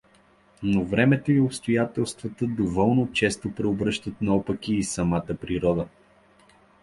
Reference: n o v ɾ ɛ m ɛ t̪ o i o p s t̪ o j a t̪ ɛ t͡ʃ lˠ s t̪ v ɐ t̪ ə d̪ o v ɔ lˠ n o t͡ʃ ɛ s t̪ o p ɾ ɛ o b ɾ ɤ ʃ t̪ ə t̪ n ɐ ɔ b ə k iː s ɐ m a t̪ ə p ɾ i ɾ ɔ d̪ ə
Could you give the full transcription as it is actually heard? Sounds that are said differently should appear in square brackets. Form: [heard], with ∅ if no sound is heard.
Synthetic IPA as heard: n o v ɾ ɛ m ɛ t̪ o i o p s t̪ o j a t̪ ɛ [∅] lˠ s t̪ v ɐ t̪ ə d̪ o v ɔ lˠ n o t͡ʃ ɛ s t̪ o p ɾ ɛ o b ɾ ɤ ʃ t̪ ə t̪ n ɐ ɔ [p] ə k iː s ɐ m a t̪ ə p ɾ i ɾ ɔ d̪ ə